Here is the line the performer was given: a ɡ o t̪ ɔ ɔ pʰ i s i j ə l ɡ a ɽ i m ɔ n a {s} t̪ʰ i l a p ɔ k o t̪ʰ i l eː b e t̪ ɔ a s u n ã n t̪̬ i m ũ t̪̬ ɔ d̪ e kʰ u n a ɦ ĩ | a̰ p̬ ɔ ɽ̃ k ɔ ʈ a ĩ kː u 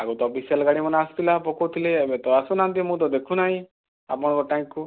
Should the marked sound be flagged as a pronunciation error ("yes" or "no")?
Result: no